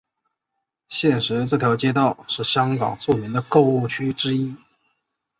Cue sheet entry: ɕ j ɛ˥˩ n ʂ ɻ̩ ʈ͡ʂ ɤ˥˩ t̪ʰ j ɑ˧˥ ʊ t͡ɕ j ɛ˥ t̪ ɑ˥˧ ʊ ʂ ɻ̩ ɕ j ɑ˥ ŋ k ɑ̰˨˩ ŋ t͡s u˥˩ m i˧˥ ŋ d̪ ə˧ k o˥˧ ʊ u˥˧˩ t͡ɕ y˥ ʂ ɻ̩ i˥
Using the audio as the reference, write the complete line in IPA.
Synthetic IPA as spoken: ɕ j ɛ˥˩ n ʂ ɻ̩ ʈ͡ʂ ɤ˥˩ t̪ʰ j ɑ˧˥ ʊ t͡ɕ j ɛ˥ t̪ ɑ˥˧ ʊ ʂ ɻ̩ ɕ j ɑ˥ ŋ k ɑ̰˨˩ ŋ t͡s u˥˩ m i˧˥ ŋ d̪ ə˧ k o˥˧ ʊ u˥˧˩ t͡ɕʰ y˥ ʈ͡ʂ ɻ̩ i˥